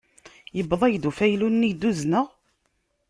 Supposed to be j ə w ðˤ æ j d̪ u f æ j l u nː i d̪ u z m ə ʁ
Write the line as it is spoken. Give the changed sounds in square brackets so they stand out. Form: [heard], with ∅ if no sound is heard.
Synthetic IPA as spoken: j ə [b] ðˤ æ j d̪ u f æ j l u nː i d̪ u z [n] ə ʁ